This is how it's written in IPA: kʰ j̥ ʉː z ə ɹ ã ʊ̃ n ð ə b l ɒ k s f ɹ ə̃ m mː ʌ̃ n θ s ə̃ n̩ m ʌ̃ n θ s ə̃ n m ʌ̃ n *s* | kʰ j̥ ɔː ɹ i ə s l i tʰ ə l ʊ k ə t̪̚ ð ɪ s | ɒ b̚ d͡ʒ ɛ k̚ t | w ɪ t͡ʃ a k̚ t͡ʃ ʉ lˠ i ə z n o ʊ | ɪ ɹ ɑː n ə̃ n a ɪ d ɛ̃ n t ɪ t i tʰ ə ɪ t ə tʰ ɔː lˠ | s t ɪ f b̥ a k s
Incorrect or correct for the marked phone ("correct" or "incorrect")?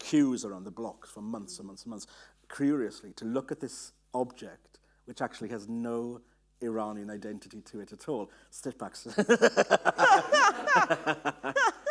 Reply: correct